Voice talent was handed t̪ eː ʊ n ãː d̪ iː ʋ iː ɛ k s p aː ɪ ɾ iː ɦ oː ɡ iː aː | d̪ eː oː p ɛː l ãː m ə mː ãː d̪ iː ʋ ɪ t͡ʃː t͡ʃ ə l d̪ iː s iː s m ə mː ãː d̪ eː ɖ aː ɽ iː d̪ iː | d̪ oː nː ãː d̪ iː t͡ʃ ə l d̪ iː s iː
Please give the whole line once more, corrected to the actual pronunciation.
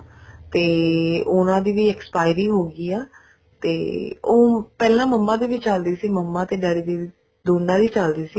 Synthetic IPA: t̪ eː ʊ n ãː d̪ iː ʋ iː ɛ k s p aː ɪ ɾ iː ɦ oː ɡ iː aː | t̪ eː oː p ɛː l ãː m ə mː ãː d̪ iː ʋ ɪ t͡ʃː t͡ʃ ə l d̪ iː s iː m ə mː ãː t̪ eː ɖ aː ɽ iː d̪ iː | d̪ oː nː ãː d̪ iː t͡ʃ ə l d̪ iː s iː